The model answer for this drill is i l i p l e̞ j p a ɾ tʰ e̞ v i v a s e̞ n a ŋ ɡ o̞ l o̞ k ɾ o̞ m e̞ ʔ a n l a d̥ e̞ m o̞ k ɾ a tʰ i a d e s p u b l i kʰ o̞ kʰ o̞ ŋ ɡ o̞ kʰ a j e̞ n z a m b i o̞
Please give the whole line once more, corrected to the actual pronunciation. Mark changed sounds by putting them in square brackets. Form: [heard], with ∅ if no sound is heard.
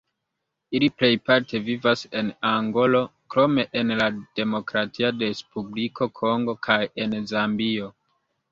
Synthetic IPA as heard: i l i p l e̞ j p a ɾ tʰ e̞ v i v a s e̞ n a ŋ ɡ o̞ l o̞ k ɾ o̞ m e̞ ʔ [e] n l a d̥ e̞ m o̞ k ɾ a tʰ i a d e s p u b l i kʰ o̞ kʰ o̞ ŋ ɡ o̞ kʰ a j e̞ n z a m b i o̞